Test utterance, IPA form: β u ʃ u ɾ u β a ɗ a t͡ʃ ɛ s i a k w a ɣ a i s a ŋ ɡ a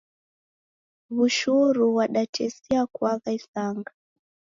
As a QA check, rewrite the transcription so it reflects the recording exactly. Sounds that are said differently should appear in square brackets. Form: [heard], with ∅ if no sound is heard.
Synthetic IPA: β u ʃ u ɾ u [w] a ɗ a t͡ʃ ɛ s i a k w a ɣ a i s a ŋ ɡ a